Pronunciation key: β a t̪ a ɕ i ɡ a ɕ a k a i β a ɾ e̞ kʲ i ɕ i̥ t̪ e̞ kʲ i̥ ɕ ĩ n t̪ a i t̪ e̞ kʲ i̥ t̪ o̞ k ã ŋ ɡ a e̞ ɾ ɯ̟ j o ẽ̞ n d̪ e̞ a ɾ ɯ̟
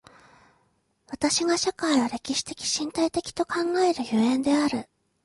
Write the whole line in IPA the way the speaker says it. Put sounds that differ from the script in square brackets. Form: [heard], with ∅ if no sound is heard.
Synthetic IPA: β a t̪ a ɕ i ɡ a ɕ a k a i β a ɾ e̞ kʲ i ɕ i̥ t̪ e̞ kʲ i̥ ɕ ĩ n t̪ a i t̪ e̞ kʲ i̥ t̪ o̞ k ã ŋ ɡ a e̞ ɾ ɯ̟ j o ẽ̞ n d̪ e̞ a ɾ ɯ̟